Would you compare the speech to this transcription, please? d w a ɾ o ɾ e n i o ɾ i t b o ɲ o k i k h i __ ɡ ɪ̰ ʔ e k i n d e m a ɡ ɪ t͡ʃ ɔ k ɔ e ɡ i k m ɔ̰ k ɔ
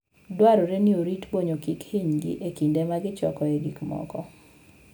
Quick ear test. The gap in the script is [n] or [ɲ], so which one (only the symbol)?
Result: ɲ